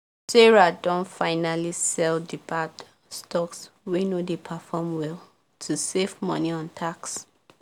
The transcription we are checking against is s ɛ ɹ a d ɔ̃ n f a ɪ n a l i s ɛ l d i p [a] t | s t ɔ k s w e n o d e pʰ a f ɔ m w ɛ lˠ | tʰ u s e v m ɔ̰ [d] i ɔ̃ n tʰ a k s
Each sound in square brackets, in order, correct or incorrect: correct, incorrect: n

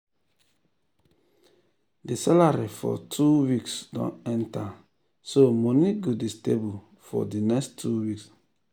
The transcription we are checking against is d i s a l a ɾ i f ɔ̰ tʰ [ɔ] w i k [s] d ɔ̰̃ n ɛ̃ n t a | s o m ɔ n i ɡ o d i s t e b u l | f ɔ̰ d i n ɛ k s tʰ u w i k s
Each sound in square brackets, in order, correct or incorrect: incorrect: u, correct

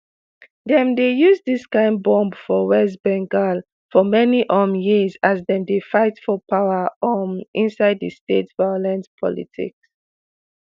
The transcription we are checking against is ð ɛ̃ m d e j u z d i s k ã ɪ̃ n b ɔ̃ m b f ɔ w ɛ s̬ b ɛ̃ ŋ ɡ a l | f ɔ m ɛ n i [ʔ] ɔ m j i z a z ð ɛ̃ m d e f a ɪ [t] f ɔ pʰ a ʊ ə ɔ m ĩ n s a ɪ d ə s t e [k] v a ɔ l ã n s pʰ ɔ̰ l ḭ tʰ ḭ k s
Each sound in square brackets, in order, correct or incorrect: correct, correct, incorrect: t

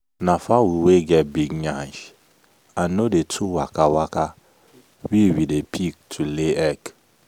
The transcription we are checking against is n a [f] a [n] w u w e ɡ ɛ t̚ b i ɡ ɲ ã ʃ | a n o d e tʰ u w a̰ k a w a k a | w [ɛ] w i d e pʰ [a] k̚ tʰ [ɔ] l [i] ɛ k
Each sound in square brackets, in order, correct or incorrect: correct, incorrect: none, incorrect: i, incorrect: i, incorrect: u, incorrect: e

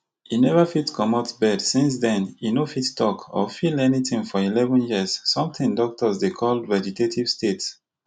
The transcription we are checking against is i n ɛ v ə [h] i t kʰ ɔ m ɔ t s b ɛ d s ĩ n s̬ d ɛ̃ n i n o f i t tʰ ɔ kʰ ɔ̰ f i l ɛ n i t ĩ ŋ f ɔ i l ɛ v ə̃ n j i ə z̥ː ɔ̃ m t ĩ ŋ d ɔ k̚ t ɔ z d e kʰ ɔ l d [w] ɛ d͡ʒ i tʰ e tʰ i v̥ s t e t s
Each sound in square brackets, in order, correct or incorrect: incorrect: f, incorrect: v

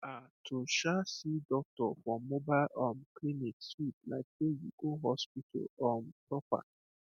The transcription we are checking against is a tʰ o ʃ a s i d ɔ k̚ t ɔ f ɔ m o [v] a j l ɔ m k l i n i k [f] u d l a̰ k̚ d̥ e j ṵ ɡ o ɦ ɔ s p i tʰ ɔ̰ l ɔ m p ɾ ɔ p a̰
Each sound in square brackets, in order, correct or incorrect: incorrect: b, incorrect: s

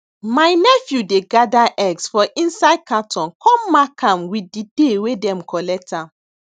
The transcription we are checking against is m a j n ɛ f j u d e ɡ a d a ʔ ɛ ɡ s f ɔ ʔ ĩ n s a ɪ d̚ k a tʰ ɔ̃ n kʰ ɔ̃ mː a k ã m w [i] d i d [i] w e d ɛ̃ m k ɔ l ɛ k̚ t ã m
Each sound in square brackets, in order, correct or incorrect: correct, incorrect: e

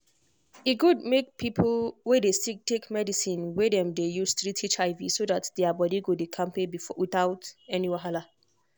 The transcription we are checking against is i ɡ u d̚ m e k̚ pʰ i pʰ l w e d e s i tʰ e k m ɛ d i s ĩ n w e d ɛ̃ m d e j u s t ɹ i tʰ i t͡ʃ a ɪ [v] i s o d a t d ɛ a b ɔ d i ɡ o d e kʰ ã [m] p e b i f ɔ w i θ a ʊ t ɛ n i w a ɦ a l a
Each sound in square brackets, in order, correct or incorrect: correct, correct

